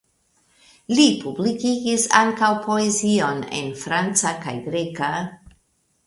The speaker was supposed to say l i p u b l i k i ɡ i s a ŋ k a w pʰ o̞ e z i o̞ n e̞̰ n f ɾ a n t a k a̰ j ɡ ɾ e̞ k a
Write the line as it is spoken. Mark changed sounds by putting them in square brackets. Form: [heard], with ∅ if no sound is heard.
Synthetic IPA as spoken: l i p u b l i k i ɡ i s a ŋ k a w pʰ o̞ e z i o̞ n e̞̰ n f ɾ a n [t͡s] a k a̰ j ɡ ɾ e̞ k a